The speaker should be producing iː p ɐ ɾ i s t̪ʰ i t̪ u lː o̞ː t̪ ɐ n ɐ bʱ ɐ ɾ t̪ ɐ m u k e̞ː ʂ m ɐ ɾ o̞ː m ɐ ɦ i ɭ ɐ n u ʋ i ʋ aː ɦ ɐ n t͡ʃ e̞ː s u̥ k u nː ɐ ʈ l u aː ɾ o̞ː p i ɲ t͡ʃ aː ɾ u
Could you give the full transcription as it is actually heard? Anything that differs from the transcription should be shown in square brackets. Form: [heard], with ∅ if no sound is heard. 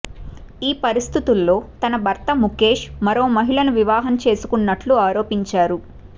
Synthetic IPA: iː p ɐ ɾ i s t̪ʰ i t̪ u lː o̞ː t̪ ɐ n ɐ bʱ ɐ ɾ t̪ ɐ m u k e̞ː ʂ m ɐ ɾ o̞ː m ɐ ɦ i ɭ ɐ n u ʋ i ʋ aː ɦ ɐ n t͡ʃ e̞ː s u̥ k u nː ɐ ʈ l u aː ɾ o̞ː p i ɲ t͡ʃ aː ɾ u